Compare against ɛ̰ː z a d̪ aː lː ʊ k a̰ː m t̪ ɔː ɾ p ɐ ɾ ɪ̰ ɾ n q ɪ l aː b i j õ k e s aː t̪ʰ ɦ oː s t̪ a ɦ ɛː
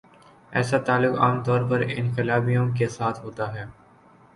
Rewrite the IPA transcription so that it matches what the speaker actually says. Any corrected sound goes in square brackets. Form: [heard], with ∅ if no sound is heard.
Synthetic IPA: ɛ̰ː [s] a [t̪] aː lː ʊ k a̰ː m t̪ ɔː ɾ p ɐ ɾ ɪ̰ [∅] n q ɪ l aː b i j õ k e s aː t̪ʰ ɦ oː [∅] t̪ a ɦ ɛː